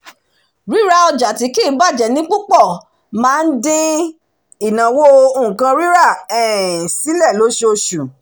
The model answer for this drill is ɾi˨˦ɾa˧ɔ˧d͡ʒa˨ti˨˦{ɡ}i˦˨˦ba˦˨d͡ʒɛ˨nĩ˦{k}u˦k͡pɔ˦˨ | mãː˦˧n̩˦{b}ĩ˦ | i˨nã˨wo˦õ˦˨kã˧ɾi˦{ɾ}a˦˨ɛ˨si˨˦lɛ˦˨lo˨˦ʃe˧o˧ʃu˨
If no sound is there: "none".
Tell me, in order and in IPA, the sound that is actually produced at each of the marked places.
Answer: k, k͡p, d, ɾ

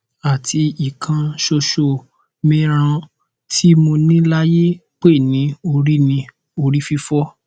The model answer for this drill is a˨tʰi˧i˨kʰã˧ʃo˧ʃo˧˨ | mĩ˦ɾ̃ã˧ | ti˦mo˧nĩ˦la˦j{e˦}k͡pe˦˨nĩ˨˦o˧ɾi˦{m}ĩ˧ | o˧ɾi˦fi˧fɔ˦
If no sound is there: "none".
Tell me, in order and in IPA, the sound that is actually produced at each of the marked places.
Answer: e˦, n

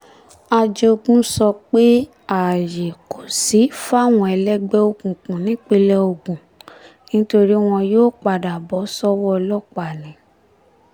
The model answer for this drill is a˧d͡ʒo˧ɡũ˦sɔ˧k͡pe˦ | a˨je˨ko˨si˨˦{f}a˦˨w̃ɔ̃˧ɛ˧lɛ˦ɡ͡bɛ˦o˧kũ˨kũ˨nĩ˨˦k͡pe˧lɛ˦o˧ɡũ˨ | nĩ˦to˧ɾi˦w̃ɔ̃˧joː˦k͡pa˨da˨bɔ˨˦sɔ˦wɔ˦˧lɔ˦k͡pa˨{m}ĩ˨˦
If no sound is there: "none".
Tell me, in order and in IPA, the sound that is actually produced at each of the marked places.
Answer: f, n

